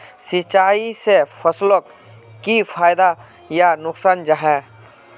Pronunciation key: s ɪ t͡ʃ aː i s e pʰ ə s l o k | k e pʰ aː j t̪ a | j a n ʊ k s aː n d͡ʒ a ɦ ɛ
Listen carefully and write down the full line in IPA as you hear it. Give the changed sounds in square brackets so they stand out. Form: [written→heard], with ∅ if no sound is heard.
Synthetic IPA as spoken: s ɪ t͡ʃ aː i s e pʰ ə s l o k | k [e→i] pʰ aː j [t̪→d̪] a | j a n ʊ k s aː n d͡ʒ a ɦ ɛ